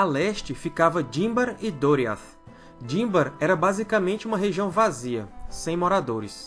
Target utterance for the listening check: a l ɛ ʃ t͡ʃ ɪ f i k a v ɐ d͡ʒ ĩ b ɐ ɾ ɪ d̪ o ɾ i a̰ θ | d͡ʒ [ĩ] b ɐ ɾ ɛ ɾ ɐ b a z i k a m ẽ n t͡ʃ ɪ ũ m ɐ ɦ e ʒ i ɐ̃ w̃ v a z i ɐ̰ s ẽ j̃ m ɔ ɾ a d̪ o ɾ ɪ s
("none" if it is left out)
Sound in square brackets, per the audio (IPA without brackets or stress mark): ĩ